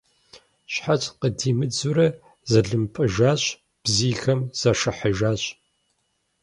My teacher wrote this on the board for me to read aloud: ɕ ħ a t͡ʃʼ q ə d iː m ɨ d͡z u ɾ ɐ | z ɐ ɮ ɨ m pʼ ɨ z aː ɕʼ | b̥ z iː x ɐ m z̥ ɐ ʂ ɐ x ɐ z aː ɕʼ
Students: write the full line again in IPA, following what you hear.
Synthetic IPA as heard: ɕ ħ a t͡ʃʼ q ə d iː m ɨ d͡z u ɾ ɐ | z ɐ ɮ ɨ m pʼ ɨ ʒ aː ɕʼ | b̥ z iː x ɐ m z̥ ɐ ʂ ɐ ħ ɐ ʒ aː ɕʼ